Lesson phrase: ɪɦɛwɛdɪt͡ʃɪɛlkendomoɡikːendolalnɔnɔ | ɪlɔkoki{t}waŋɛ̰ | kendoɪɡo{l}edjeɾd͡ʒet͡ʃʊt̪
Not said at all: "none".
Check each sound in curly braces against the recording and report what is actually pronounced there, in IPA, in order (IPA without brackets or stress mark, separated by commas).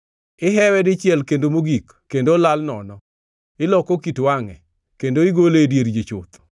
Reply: t, l